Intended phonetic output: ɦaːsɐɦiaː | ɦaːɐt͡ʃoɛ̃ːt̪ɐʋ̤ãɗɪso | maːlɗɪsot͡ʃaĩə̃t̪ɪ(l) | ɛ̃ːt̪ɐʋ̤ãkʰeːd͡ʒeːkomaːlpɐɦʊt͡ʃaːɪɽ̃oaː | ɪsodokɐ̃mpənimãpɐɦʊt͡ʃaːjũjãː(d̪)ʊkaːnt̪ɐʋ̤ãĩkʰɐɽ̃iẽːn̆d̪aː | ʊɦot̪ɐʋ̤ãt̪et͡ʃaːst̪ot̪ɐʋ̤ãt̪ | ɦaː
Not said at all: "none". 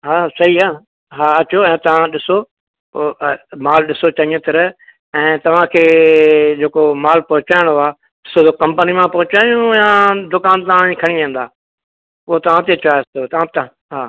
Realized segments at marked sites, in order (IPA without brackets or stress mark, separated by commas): ɾ, d̪